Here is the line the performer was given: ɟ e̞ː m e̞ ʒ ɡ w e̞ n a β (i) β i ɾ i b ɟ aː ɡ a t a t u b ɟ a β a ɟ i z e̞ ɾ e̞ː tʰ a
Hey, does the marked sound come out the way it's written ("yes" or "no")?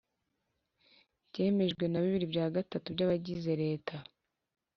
yes